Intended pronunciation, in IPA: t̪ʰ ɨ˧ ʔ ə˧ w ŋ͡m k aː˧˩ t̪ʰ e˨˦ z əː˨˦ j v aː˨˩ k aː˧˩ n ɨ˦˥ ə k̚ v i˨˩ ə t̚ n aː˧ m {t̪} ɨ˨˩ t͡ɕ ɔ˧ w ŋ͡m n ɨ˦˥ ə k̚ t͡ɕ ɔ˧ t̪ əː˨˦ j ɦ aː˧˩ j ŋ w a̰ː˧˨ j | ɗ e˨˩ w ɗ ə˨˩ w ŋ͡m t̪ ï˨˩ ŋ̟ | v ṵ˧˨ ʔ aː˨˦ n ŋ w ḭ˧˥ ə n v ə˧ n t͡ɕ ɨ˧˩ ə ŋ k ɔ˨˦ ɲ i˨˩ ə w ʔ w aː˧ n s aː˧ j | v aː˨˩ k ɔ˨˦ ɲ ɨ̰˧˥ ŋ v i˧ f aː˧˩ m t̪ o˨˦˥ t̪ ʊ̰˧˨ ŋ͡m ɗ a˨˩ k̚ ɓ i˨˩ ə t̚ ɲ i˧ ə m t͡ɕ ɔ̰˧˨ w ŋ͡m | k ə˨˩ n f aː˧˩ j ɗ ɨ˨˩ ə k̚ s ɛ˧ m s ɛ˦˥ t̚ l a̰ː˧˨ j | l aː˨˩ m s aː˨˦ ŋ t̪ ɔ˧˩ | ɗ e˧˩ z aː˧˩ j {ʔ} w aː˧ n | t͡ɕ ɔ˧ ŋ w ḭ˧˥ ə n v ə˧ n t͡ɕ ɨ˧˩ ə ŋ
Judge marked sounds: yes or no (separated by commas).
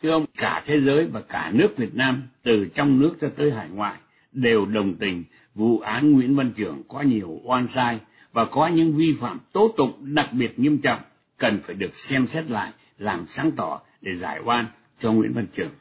yes, yes